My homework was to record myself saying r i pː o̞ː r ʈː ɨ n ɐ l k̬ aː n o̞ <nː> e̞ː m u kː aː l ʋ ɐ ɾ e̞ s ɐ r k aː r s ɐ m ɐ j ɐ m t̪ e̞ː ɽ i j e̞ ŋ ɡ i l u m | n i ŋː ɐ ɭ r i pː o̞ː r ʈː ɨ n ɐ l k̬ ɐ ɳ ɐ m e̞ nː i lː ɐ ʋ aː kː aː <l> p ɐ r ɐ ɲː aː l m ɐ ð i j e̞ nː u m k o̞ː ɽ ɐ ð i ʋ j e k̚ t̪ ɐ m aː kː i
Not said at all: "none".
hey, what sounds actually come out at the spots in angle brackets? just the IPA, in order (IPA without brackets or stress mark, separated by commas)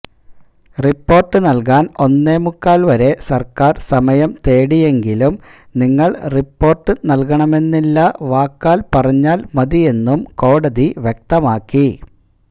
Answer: nː, l